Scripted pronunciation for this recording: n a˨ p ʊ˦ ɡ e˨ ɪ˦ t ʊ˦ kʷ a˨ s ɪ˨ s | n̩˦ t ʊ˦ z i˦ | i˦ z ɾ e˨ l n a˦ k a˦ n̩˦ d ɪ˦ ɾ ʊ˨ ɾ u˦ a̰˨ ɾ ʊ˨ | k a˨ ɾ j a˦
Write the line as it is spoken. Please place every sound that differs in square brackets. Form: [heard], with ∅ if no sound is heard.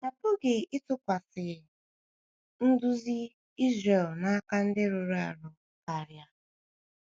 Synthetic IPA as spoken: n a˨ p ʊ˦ ɡ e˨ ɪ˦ t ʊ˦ kʷ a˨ s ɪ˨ [∅] | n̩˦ [d] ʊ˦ z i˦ | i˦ z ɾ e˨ l n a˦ k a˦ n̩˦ d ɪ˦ ɾ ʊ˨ ɾ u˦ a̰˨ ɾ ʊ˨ | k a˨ ɾ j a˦